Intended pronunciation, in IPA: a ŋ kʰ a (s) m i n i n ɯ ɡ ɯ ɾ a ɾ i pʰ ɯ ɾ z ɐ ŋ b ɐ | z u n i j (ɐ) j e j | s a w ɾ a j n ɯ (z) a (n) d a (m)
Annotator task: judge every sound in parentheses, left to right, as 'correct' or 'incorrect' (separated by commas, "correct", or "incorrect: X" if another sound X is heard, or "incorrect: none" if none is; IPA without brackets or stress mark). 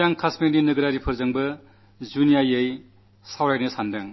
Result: correct, incorrect: a, incorrect: s, correct, incorrect: ŋ